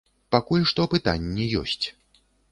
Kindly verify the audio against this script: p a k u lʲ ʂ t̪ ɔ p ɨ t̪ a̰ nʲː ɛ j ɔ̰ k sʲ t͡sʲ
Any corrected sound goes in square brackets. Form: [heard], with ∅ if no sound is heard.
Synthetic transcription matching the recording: p a k u lʲ ʂ t̪ ɔ p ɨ t̪ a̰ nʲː ɛ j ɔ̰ [∅] sʲ t͡sʲ